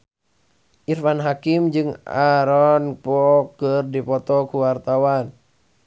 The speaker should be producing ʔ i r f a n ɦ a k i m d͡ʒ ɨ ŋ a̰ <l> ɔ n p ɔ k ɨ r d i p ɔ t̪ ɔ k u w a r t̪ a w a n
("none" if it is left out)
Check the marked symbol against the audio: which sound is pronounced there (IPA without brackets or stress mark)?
ɾ